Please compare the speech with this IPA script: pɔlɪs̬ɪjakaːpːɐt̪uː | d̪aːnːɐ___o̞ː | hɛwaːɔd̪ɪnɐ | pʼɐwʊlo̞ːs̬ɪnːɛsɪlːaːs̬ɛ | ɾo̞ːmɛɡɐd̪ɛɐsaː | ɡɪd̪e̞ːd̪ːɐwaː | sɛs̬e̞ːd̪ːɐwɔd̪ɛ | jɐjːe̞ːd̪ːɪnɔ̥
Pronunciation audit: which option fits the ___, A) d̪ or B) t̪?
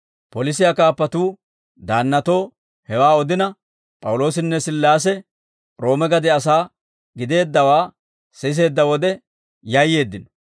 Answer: B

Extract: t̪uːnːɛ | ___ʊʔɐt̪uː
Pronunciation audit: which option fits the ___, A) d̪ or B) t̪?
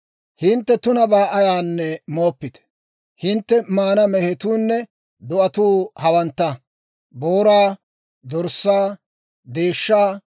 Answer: A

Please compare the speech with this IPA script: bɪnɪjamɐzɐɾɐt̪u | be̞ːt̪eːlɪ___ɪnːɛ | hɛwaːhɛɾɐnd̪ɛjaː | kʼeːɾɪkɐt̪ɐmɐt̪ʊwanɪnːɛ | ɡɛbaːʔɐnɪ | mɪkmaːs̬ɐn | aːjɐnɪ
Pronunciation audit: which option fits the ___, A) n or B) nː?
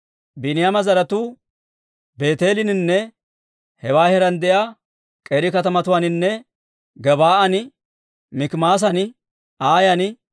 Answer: A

